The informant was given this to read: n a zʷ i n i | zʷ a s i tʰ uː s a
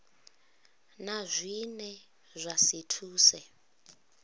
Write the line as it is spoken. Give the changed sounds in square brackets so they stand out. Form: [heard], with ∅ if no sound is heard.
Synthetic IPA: n a zʷ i n [ɛ] | zʷ a s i tʰ uː s [ɛ]